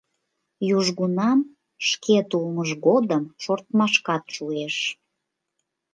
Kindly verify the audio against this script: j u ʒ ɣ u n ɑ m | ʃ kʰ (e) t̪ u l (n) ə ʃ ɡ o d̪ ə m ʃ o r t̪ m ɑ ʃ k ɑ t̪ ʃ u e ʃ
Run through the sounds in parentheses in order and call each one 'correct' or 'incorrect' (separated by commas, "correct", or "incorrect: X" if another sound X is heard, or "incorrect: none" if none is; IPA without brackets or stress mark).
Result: correct, incorrect: m